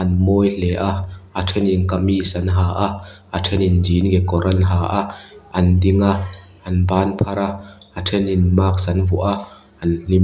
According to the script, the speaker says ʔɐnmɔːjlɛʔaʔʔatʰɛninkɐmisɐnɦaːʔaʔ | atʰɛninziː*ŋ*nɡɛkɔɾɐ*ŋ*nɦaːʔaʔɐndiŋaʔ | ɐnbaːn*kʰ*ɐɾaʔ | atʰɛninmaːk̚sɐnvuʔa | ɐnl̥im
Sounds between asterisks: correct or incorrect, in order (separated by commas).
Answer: incorrect, incorrect, incorrect